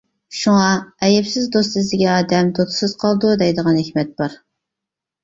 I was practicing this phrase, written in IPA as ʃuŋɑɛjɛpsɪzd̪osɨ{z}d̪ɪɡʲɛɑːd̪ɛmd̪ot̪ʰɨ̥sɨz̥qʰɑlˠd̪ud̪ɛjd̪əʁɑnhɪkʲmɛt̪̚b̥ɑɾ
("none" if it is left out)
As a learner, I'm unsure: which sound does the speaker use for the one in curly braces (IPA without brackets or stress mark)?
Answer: z